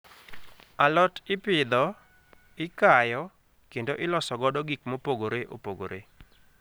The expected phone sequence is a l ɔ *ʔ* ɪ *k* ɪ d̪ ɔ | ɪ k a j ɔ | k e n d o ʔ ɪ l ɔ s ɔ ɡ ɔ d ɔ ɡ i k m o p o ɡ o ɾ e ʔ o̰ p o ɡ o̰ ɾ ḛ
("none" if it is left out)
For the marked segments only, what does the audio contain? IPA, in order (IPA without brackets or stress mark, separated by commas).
t, p